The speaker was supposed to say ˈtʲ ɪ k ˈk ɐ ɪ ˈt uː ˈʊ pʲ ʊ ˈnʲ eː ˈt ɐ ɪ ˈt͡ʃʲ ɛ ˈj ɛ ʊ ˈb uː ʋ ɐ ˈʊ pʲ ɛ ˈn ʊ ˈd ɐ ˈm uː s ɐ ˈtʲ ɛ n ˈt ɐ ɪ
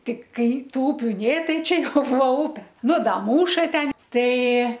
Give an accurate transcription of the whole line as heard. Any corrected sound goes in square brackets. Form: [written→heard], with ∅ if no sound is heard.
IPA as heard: ˈtʲ ɪ k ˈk ɐ ɪ ˈt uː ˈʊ pʲ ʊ ˈnʲ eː ˈt ɐ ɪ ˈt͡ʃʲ ɛ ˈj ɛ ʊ ˈb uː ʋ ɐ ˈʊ pʲ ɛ ˈn ʊ ˈd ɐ ˈm uː [s→ʃ] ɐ ˈtʲ ɛ n ˈt ɐ ɪ

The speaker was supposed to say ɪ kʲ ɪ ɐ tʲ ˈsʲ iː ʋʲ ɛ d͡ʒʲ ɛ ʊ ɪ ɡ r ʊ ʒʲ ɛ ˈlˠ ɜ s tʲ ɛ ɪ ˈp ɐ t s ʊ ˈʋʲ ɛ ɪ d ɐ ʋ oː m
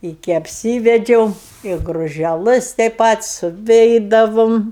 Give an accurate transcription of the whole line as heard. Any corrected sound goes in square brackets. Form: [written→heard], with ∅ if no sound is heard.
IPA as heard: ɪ kʲ ɪ ɐ [tʲ→pʲ] ˈsʲ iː ʋʲ ɛ d͡ʒʲ ɛ ʊ ɪ ɡ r ʊ ʒʲ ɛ ˈlˠ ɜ s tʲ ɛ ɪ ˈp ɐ t s ʊ ˈʋʲ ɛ ɪ d ɐ ʋ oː m

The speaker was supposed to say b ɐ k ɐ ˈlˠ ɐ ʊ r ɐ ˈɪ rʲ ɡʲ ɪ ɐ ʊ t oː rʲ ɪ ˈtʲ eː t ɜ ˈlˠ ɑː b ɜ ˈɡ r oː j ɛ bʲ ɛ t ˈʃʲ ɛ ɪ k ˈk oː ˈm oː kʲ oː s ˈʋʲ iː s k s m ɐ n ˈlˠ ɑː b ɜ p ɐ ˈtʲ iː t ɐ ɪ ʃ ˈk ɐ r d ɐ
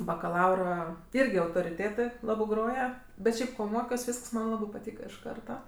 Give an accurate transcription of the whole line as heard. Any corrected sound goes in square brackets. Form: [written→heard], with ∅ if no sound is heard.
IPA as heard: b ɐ k ɐ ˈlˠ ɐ ʊ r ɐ ˈɪ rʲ ɡʲ ɪ ɐ ʊ t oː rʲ ɪ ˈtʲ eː t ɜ ˈlˠ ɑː b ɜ ˈɡ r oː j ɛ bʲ ɛ t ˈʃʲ ɛ ɪ [k→p] ˈk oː ˈm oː kʲ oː s ˈʋʲ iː s k s m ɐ n ˈlˠ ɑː b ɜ p ɐ ˈtʲ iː [t→k] ɐ ɪ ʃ ˈk ɐ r [d→t] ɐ

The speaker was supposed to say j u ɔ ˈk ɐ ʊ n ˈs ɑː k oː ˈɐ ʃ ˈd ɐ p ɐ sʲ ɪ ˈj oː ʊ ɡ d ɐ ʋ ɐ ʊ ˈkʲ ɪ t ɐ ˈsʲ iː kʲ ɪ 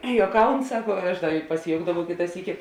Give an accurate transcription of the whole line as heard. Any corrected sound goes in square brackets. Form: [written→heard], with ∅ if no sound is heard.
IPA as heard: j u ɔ ˈk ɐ ʊ n ˈs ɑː k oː ˈɐ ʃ ˈd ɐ p ɐ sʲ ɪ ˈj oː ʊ ɡ d ɐ ʋ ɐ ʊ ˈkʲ ɪ t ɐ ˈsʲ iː kʲ ɪ

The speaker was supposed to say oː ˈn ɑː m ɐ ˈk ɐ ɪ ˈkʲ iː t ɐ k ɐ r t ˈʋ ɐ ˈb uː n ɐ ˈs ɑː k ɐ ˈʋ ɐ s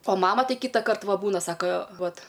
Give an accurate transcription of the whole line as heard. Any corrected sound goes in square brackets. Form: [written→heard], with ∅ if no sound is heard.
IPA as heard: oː [ˈn→ˈm] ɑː m ɐ [ˈk→ˈt] ɐ ɪ ˈkʲ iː t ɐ k ɐ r t ˈʋ ɐ ˈb uː n ɐ ˈs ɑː k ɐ ˈʋ ɐ [s→t]

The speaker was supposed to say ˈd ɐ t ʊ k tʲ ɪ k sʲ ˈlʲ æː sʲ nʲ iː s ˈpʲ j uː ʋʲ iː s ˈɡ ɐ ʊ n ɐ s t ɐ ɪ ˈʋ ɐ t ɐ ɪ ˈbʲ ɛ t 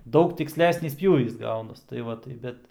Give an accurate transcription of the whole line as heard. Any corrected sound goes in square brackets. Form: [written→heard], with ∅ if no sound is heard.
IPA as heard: ˈd ɐ [t→∅] ʊ k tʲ ɪ k sʲ ˈlʲ æː sʲ nʲ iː s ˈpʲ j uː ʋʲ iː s ˈɡ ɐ ʊ n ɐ s t ɐ ɪ ˈʋ ɐ t ɐ ɪ ˈbʲ ɛ t

